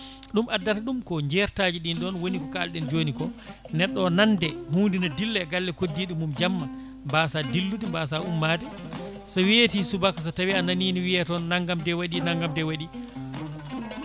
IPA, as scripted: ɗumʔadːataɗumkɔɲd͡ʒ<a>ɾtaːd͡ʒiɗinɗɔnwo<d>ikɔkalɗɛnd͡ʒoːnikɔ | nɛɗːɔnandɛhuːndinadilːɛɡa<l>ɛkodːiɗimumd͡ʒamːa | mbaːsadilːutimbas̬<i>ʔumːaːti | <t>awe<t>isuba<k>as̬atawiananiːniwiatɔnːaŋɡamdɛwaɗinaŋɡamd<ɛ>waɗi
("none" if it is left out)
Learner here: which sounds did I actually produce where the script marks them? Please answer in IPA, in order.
ɛ, n, lː, a, s, t, k, ɛ

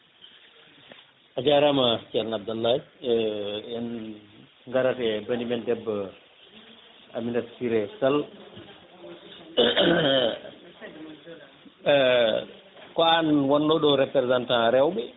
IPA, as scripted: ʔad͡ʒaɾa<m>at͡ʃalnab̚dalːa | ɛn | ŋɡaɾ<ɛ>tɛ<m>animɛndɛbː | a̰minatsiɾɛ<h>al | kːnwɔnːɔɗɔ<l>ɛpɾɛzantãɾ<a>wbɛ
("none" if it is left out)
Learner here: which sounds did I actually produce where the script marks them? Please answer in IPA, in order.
m, a, b, s, ɾ, ɛ

